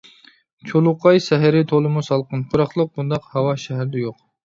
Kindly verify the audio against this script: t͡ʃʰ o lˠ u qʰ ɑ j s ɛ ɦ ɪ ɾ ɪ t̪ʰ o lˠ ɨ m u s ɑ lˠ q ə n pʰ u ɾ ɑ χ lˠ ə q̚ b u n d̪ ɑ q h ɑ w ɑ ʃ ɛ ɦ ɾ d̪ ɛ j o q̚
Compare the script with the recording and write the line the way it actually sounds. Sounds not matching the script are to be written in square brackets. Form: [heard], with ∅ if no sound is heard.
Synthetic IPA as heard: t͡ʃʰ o lˠ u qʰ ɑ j s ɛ ɦ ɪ ɾ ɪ t̪ʰ o lˠ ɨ m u s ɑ lˠ q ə n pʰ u ɾ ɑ χ lˠ ə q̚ b u n d̪ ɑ q h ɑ w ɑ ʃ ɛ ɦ ɾ d̪ ɛ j o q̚

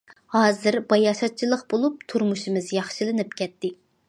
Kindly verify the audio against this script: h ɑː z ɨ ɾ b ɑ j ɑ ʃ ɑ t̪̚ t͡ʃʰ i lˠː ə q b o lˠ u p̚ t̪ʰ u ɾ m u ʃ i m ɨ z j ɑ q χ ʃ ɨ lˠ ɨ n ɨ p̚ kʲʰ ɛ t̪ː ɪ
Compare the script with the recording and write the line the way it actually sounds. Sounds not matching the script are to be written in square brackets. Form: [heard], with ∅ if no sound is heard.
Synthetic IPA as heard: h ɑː z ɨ ɾ b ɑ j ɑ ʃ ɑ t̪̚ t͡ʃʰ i [lˠ] ə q b o lˠ u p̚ t̪ʰ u ɾ m u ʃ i m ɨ z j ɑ [∅] χ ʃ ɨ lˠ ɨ n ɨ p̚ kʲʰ ɛ t̪ː ɪ

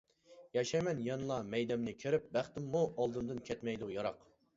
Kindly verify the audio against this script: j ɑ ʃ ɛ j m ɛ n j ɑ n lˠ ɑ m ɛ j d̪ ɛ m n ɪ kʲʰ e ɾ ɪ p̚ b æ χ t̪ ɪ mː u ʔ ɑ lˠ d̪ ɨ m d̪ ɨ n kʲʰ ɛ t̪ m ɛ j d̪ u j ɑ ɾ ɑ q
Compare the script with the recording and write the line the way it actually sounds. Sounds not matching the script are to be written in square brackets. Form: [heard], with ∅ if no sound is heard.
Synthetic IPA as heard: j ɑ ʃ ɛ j m ɛ n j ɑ n lˠ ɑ m ɛ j d̪ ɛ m n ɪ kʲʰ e ɾ ɪ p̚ b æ χ t̪ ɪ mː u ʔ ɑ lˠ d̪ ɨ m d̪ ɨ n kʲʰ ɛ t̪ m ɛ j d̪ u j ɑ ɾ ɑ q

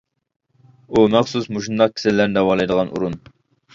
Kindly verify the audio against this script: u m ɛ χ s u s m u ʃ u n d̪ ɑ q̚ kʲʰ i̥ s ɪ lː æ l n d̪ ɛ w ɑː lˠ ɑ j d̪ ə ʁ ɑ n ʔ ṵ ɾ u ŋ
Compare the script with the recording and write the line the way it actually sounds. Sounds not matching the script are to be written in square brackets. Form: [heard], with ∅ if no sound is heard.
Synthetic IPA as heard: u m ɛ χ s u s m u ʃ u n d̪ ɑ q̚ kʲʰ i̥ s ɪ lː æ [ɾ] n d̪ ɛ w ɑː lˠ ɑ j d̪ ə ʁ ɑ n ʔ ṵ ɾ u [n]

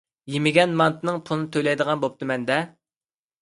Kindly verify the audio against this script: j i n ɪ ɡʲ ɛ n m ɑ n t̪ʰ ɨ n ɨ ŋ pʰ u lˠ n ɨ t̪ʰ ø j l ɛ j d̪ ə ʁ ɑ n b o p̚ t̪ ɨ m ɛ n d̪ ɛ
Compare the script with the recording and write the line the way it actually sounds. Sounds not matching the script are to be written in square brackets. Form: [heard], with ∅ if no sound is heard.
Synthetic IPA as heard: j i [m] ɪ ɡʲ ɛ n m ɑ n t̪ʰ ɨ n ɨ ŋ pʰ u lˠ n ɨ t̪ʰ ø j l ɛ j d̪ ə ʁ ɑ n b o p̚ t̪ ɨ m ɛ n d̪ ɛ

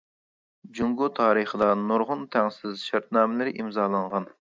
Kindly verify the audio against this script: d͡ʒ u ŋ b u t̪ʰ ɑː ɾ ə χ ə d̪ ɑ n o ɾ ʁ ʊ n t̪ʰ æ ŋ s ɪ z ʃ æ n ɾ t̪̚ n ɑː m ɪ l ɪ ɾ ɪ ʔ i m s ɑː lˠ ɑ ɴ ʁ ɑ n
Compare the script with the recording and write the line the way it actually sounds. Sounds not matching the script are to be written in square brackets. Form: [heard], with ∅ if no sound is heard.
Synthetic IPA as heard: d͡ʒ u ŋ [ɡ] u t̪ʰ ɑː ɾ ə χ ə d̪ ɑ n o ɾ ʁ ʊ n t̪ʰ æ ŋ s ɪ z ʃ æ [∅] ɾ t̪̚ n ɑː m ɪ l ɪ ɾ ɪ ʔ i m [z] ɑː lˠ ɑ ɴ ʁ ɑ n

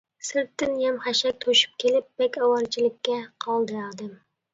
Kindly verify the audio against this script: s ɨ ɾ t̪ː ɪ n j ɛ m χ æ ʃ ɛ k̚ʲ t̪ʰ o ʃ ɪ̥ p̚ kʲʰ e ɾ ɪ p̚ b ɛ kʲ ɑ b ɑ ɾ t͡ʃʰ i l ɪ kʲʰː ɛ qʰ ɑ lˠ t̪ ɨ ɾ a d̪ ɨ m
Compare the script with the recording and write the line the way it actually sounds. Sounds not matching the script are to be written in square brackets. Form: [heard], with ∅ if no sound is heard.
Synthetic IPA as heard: s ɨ ɾ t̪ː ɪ n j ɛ m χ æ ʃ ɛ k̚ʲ t̪ʰ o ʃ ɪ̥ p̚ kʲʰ e [l] ɪ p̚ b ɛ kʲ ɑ [w] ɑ ɾ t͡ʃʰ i l ɪ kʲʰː ɛ qʰ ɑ lˠ [d̪] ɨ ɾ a d̪ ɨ m

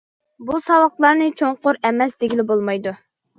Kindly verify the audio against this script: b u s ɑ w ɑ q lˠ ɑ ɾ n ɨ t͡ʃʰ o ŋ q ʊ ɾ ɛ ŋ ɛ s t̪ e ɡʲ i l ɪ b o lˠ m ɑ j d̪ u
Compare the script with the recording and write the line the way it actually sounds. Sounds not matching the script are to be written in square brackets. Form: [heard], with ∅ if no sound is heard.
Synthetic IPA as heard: b u s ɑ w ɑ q lˠ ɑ ɾ n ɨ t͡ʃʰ o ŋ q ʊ ɾ ɛ [m] ɛ s [d̪] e ɡʲ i l ɪ b o lˠ m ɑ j d̪ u

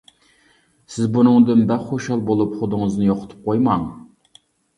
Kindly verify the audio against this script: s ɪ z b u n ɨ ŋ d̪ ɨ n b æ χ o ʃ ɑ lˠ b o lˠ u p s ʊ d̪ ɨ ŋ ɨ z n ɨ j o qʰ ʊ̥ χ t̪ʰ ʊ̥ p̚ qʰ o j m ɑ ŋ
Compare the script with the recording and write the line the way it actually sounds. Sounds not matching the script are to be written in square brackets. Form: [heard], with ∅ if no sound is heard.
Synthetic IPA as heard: s ɪ z b u n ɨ ŋ d̪ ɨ n b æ χ o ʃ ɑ lˠ b o lˠ u p [χ] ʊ d̪ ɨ ŋ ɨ z n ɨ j o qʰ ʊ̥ [∅] t̪ʰ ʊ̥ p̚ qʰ o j m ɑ ŋ

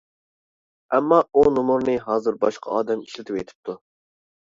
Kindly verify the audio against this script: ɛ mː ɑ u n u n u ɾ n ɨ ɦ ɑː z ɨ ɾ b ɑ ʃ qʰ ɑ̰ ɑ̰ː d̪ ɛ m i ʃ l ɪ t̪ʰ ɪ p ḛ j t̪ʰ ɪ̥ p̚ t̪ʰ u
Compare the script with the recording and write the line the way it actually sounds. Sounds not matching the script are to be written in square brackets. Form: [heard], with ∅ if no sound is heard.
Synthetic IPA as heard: ɛ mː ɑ u n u [m] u ɾ n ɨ ɦ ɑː z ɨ ɾ b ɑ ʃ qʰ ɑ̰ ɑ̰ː d̪ ɛ m i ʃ l ɪ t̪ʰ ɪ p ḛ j t̪ʰ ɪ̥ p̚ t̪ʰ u

